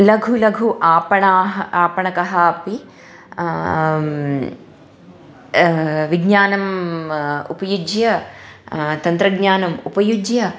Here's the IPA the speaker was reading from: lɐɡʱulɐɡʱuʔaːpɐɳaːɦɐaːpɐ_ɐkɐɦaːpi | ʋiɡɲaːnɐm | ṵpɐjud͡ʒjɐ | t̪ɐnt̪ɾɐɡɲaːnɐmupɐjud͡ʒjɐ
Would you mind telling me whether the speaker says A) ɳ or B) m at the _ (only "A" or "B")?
A